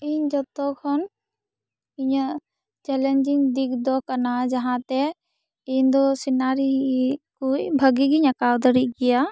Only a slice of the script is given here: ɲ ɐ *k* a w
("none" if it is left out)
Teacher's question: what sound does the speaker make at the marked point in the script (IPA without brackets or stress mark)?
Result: k